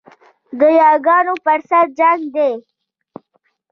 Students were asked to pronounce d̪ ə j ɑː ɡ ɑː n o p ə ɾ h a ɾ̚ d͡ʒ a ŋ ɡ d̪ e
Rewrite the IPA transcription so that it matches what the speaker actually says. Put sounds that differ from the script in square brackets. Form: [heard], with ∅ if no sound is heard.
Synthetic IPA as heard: d̪ ə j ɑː ɡ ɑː n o p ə ɾ [s] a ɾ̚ d͡ʒ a ŋ ɡ d̪ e